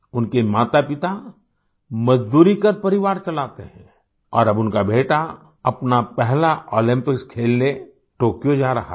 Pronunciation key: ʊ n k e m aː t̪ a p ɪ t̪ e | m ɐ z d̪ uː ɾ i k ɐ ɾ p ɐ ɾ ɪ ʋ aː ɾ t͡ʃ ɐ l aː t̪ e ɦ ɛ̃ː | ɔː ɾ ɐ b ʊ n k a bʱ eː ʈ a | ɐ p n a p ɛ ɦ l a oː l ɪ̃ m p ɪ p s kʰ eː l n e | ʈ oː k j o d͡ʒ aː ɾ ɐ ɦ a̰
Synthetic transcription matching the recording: ʊ n k e m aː t̪ a p ɪ t̪ a | m ɐ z d̪ uː ɾ i k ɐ ɾ p ɐ ɾ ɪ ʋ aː ɾ t͡ʃ ɐ l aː t̪ e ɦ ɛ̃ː | ɔː ɾ ɐ b ʊ n k a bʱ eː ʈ a | ɐ p n a p ɛ ɦ l a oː l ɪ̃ m p ɪ k s kʰ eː l n e | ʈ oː k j o d͡ʒ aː ɾ ɐ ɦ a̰